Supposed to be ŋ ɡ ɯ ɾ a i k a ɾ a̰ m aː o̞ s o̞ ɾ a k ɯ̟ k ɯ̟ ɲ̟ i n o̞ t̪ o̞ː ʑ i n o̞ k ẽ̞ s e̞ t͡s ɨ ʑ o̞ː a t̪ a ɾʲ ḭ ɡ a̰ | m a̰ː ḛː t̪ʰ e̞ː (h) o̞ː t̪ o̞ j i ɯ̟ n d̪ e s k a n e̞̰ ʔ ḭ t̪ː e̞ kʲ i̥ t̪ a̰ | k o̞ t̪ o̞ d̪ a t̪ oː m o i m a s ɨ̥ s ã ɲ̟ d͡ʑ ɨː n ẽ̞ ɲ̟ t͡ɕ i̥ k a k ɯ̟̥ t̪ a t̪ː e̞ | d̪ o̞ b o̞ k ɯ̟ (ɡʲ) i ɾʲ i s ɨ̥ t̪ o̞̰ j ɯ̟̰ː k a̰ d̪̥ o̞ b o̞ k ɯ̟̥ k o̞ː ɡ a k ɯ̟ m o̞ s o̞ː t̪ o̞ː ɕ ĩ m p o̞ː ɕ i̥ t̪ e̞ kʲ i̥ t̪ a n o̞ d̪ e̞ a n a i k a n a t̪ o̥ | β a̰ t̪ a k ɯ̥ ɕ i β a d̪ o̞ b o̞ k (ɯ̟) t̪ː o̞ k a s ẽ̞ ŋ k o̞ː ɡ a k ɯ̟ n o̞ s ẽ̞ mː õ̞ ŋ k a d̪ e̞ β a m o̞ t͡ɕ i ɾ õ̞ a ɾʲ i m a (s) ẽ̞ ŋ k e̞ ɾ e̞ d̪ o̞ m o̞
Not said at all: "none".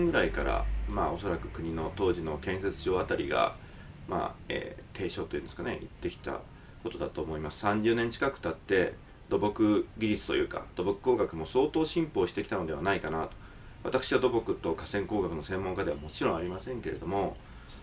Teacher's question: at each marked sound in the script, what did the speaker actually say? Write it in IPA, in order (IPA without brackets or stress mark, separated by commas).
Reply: ɕ, ɡʲ, ɯ̟, s